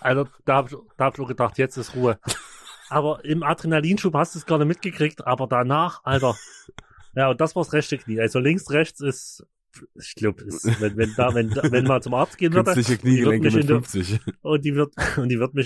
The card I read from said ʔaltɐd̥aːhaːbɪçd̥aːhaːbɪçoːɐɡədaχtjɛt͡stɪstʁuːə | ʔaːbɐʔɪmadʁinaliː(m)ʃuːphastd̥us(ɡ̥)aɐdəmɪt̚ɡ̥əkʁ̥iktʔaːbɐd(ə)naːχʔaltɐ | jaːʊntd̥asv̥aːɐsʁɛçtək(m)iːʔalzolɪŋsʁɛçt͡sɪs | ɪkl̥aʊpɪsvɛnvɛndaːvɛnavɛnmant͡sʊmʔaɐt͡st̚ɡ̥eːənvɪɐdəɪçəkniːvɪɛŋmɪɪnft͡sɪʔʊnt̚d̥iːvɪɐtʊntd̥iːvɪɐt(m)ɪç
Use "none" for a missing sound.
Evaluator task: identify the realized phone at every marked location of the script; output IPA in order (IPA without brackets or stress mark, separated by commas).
n, ɡ̥, a, n, m